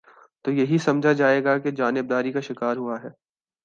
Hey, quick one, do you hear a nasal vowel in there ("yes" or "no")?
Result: no